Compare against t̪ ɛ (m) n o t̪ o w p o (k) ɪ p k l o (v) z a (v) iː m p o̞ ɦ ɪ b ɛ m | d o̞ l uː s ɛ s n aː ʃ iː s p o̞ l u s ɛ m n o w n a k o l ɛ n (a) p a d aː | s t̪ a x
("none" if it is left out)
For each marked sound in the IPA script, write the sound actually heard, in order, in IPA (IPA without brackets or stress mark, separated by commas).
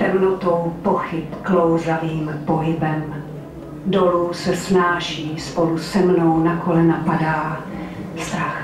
m, x, w, v, a